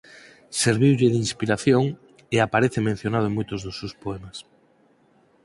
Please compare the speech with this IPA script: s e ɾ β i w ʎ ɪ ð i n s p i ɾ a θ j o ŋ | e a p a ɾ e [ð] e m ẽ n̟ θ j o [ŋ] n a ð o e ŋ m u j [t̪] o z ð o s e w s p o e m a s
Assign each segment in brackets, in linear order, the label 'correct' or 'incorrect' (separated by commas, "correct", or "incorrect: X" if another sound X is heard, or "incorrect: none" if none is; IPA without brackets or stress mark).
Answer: incorrect: θ, incorrect: none, correct